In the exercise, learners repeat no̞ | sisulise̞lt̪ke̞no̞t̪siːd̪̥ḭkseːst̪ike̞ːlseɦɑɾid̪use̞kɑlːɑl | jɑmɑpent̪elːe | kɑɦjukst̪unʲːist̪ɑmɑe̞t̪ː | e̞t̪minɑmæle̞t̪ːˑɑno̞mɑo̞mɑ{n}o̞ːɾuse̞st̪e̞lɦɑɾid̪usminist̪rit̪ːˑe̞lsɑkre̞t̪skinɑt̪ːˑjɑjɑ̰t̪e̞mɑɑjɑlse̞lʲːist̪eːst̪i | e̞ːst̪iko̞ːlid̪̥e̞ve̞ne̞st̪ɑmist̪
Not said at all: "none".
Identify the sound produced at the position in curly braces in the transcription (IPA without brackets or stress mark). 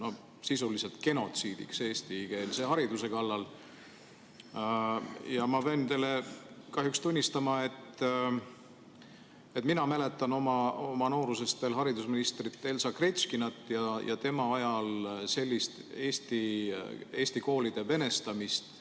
n